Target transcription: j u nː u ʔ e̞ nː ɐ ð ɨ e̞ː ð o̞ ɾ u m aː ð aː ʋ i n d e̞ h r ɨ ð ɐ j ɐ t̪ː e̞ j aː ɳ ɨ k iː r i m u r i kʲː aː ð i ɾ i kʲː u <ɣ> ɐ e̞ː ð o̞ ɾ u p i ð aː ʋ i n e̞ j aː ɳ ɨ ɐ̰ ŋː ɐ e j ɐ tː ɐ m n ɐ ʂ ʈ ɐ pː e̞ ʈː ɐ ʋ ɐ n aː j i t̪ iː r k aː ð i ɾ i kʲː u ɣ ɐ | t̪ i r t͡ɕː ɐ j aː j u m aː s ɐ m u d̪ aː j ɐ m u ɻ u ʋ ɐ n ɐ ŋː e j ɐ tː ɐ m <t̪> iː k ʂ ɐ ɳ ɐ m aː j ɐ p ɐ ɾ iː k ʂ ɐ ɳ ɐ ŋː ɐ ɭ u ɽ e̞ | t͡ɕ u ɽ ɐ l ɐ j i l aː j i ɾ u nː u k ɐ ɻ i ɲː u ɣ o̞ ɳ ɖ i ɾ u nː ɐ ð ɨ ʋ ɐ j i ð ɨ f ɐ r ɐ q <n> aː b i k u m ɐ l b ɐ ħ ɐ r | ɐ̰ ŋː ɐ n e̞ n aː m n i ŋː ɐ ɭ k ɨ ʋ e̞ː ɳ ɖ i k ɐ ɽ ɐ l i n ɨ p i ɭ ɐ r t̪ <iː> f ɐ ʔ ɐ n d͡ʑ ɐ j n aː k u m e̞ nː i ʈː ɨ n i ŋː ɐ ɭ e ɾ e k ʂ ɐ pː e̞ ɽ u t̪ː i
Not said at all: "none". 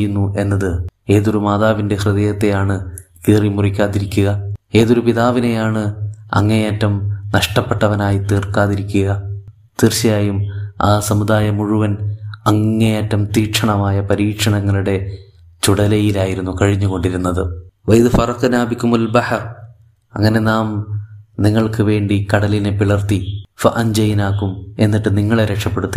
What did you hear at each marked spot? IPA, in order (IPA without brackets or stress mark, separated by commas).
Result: ɣ, t̪, n, i